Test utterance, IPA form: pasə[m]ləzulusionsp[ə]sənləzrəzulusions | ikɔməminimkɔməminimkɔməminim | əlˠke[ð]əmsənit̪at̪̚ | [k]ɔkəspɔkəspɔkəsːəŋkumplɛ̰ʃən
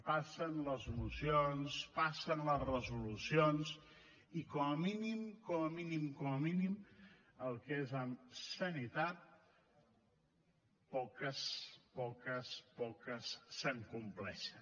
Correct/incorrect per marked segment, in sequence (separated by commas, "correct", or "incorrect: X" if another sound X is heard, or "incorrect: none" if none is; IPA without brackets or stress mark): incorrect: n, incorrect: a, incorrect: z, incorrect: p